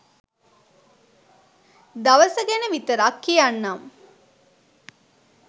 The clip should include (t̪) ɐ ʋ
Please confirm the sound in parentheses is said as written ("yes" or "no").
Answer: no